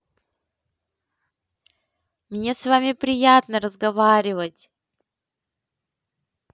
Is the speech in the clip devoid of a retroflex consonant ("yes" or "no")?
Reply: yes